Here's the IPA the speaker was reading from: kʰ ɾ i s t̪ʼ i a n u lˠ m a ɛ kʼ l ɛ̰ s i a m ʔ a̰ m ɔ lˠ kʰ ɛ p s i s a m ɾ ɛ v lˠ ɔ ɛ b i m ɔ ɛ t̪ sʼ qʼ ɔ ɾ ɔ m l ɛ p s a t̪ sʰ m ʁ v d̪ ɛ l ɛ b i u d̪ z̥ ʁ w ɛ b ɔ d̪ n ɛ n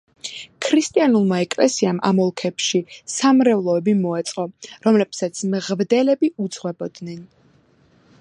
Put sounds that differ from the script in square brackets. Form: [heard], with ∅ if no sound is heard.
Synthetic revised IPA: kʰ ɾ i s t̪ʼ i a n u lˠ m a ɛ kʼ l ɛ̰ s i a m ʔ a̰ m ɔ lˠ kʰ ɛ p [ʃ] i s a m ɾ ɛ v lˠ ɔ ɛ b i m ɔ ɛ t̪ sʼ qʼ ɔ ɾ ɔ m l ɛ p s a t̪ sʰ m ʁ v d̪ ɛ l ɛ b i u d̪ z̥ ʁ w ɛ b ɔ d̪ n ɛ n